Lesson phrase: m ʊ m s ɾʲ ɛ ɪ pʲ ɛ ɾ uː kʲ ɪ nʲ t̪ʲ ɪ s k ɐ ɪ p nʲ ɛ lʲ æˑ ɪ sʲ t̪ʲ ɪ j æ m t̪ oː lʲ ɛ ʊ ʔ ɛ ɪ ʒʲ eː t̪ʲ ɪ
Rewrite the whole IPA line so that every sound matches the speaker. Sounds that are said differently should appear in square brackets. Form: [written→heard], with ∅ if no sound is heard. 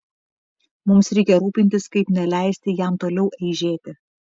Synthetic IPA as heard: m ʊ m s ɾʲ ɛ ɪ [pʲ→kʲ] ɛ ɾ uː [kʲ→pʲ] ɪ nʲ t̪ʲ ɪ s k ɐ ɪ p nʲ ɛ lʲ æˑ ɪ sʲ t̪ʲ ɪ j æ m t̪ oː lʲ ɛ ʊ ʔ ɛ ɪ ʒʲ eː t̪ʲ ɪ